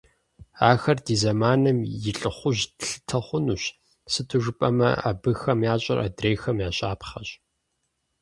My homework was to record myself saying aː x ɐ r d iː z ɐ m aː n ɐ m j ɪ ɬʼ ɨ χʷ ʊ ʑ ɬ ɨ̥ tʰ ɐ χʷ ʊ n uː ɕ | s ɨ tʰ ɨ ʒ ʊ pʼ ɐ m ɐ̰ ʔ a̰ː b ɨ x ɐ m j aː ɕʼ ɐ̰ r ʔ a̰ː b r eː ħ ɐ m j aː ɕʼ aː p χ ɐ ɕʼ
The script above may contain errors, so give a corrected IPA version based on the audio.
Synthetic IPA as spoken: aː x ɐ r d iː z ɐ m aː n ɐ m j ɪ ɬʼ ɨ χʷ ʊ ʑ ɬ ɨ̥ tʰ ɐ χʷ ʊ n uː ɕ | s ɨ tʰ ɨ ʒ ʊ pʼ ɐ m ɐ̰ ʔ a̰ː b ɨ x ɐ m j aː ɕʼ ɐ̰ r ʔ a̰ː d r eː x ɐ m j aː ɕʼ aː p χ ɐ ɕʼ